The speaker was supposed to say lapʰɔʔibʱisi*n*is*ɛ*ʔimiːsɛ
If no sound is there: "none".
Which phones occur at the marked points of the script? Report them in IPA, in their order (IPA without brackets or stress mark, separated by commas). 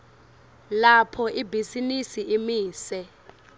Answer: n, i